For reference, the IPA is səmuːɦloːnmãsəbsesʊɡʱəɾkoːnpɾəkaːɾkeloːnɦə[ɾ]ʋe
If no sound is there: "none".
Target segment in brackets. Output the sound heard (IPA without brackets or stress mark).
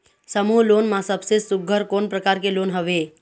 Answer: none